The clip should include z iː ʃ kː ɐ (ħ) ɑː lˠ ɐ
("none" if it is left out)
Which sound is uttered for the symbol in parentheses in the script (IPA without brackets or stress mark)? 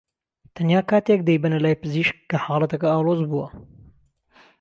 ħ